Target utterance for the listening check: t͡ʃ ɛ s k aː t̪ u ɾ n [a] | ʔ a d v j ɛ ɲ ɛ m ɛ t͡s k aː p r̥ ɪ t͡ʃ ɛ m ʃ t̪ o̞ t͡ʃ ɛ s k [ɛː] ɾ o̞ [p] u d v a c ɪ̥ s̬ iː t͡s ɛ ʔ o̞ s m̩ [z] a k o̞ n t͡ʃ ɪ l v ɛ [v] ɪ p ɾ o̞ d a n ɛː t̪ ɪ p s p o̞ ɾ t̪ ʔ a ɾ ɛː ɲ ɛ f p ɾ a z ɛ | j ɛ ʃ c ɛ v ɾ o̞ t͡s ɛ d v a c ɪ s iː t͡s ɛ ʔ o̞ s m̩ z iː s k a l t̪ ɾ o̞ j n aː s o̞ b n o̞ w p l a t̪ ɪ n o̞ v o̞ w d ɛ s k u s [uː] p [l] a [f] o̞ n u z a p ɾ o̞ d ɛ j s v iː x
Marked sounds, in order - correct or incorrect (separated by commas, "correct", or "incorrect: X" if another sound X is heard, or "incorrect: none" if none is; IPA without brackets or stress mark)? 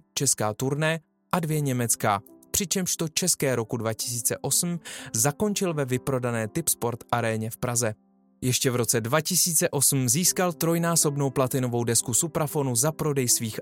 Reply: incorrect: ɛ, correct, incorrect: k, correct, correct, incorrect: u, incorrect: ɾ, correct